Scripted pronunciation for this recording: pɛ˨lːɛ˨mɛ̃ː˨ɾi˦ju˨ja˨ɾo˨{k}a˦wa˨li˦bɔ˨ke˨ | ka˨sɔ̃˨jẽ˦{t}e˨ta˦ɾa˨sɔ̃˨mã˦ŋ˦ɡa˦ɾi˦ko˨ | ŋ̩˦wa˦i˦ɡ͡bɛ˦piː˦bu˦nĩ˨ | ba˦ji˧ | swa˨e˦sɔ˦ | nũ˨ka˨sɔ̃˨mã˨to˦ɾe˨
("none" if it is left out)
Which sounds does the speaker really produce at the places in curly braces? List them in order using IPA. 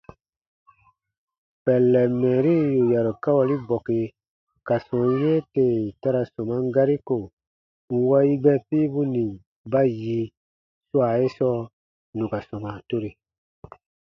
k, t

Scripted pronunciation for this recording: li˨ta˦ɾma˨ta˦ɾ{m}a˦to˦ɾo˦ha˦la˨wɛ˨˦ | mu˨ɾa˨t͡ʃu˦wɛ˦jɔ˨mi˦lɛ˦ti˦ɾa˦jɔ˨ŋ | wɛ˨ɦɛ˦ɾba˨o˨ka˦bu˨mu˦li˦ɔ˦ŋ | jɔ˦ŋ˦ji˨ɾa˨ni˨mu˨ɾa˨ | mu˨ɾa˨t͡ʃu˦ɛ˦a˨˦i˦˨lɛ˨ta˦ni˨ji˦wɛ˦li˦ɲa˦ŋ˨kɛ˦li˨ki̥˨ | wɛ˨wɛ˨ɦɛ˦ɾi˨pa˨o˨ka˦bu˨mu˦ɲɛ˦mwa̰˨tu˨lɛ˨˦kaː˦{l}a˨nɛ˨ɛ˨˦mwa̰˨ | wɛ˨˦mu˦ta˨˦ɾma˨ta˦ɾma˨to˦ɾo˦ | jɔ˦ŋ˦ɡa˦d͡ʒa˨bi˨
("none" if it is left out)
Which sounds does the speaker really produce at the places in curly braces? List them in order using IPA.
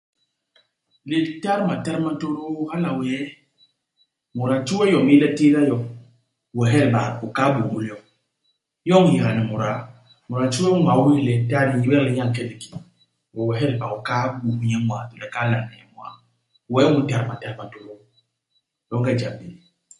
m, l

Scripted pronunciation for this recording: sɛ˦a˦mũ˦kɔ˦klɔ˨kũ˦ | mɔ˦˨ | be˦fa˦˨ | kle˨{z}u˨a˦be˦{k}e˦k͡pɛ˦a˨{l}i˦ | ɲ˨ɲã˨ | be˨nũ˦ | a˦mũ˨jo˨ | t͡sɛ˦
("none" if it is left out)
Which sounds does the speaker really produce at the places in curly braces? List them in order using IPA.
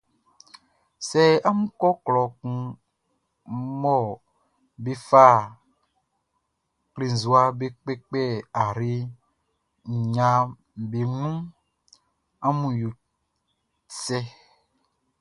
z, k͡p, ɾ

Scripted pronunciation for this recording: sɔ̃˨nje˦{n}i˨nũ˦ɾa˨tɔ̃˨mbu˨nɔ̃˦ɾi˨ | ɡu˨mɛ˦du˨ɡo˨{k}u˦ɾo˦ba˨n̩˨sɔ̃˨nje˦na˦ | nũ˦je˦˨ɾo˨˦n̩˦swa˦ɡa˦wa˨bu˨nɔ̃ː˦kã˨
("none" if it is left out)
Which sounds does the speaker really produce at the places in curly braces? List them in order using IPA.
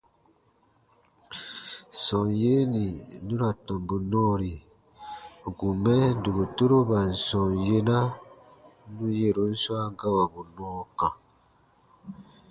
n, t

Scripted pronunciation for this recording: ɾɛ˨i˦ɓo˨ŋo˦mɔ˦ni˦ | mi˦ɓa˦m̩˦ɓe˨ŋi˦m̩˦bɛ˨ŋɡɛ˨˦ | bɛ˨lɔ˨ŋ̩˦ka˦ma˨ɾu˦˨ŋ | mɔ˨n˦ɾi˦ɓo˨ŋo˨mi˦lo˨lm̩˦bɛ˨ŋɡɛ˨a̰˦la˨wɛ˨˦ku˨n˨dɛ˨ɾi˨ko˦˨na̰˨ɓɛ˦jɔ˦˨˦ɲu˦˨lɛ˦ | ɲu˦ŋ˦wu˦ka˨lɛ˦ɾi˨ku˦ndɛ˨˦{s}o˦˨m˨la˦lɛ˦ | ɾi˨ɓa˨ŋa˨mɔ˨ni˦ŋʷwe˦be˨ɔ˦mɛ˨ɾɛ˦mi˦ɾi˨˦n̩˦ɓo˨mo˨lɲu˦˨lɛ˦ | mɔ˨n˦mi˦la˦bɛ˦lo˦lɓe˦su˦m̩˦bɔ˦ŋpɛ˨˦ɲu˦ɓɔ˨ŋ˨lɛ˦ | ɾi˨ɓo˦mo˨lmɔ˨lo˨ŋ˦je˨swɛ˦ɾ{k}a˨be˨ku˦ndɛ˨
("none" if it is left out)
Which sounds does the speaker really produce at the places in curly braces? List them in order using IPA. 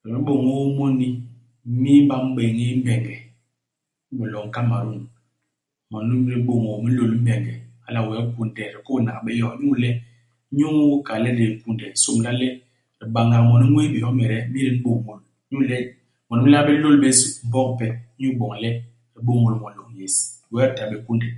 s, t

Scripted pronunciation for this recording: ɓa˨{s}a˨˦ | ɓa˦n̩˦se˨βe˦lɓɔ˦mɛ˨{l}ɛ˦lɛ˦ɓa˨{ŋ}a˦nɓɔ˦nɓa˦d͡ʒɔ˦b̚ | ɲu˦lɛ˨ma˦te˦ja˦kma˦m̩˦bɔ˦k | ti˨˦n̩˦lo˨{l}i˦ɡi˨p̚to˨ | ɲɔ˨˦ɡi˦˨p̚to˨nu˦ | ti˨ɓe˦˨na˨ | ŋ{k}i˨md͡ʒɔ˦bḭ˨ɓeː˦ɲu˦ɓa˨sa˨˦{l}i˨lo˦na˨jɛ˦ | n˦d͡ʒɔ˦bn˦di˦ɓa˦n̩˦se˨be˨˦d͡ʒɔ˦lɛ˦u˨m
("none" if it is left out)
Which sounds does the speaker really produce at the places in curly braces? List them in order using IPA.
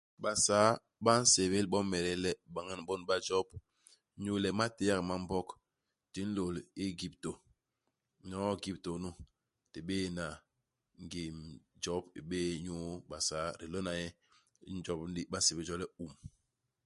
s, ɾ, ŋ, l, ɡ, ɾ

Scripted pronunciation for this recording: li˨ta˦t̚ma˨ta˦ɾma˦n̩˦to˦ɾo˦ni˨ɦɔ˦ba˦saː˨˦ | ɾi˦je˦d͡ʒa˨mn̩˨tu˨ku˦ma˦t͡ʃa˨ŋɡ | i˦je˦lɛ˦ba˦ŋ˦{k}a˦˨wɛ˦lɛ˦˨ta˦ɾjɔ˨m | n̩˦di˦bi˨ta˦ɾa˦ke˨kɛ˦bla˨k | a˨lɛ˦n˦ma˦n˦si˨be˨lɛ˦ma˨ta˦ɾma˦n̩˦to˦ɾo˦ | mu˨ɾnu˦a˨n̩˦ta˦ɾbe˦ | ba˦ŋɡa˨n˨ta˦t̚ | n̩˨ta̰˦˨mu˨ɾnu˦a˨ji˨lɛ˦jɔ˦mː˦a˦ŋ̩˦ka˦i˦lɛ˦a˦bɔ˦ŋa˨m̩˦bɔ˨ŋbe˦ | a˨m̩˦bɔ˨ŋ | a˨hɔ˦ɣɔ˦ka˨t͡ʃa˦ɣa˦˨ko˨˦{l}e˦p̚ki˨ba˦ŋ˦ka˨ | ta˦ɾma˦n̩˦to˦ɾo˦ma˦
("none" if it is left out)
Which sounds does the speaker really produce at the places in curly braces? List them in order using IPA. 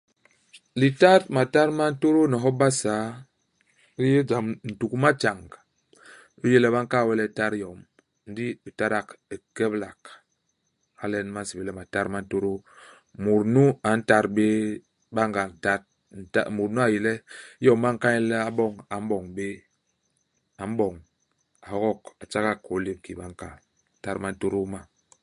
k, l

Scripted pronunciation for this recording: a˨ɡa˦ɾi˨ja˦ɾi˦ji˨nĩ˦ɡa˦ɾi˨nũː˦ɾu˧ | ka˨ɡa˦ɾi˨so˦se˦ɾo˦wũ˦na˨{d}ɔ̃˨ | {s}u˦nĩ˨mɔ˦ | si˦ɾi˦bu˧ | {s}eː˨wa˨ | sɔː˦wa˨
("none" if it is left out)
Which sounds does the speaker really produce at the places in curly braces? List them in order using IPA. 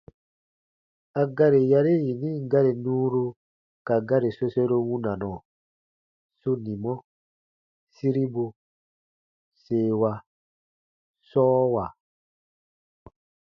n, s, s

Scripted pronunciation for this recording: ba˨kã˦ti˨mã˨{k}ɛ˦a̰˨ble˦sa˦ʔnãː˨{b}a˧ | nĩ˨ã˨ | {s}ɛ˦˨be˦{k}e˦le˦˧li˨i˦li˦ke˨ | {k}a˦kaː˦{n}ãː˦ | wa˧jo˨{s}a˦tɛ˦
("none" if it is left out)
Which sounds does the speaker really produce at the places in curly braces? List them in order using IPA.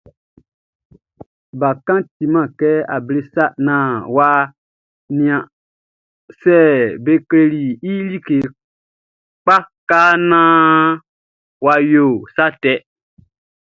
k, w, s, k, k͡p, n, s

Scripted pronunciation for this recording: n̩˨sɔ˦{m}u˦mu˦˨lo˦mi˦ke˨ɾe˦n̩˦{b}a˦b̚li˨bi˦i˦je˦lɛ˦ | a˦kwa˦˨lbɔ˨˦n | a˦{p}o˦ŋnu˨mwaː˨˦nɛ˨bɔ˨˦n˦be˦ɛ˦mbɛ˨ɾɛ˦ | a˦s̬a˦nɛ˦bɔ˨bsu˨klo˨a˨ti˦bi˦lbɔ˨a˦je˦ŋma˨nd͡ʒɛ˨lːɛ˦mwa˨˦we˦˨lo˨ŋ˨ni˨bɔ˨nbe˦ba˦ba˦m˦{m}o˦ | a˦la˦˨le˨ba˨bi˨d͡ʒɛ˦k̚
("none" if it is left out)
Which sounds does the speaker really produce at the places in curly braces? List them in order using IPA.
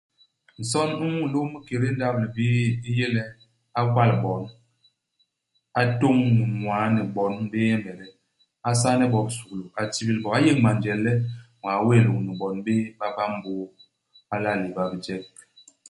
n, d, t, b

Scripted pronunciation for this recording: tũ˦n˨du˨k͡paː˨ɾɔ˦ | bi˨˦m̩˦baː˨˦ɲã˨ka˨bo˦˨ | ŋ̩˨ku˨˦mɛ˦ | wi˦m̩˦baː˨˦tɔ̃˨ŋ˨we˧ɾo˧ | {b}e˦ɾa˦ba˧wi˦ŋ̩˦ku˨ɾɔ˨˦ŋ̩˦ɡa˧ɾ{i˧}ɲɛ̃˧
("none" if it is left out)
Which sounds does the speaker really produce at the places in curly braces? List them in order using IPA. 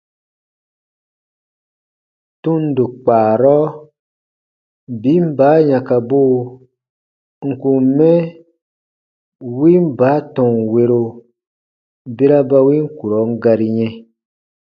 b, i˧

